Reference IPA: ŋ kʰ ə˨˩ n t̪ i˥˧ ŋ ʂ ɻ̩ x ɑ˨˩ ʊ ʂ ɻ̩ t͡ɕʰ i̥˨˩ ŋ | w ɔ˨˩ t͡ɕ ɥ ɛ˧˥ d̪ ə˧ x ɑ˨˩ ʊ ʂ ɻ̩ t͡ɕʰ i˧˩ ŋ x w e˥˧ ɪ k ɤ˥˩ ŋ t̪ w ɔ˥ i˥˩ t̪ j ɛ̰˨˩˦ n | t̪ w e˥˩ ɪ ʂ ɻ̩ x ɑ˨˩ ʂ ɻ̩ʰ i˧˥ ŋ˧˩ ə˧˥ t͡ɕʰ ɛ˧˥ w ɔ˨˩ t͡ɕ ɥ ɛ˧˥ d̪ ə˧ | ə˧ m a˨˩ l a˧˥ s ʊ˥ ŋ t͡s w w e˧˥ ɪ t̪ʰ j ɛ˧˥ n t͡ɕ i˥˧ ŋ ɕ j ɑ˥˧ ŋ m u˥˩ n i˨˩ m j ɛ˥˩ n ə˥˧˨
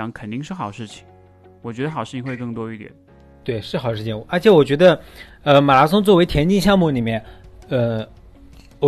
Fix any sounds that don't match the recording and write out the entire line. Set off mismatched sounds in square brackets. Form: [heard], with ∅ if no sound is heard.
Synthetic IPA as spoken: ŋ kʰ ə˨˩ n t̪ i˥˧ ŋ ʂ ɻ̩ x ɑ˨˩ ʊ ʂ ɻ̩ t͡ɕʰ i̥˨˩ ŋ | w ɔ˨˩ t͡ɕ ɥ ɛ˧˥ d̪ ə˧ x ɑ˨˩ ʊ ʂ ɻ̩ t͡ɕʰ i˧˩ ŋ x w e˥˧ ɪ k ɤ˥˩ ŋ t̪ w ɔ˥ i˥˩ t̪ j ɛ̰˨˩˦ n | t̪ w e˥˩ ɪ ʂ ɻ̩ x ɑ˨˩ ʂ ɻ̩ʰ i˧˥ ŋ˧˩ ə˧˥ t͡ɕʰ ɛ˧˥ w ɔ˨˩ t͡ɕ ɥ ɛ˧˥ d̪ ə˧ | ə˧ m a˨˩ l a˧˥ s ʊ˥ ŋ t͡s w w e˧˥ ɪ t̪ʰ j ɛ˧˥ n t͡ɕ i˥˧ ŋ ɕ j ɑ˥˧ ŋ m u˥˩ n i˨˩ m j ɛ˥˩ n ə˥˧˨